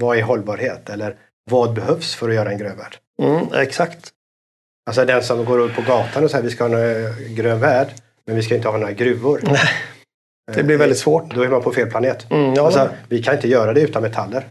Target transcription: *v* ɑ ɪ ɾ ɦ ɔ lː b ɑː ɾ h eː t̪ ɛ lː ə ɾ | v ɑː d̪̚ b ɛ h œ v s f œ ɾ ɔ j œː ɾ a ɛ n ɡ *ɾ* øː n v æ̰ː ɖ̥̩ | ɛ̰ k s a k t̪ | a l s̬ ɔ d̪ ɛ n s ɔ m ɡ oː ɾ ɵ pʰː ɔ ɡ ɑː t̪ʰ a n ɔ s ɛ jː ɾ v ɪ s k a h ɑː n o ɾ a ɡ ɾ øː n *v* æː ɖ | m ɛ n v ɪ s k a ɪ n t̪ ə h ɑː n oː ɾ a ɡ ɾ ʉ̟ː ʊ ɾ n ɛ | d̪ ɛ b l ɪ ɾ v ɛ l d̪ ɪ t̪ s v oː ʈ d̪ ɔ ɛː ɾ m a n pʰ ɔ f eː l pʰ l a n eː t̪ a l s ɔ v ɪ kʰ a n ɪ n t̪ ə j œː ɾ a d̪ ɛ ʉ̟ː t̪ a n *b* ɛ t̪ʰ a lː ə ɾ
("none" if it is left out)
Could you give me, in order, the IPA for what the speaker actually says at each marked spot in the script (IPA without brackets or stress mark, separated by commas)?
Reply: v, ɾ, v, m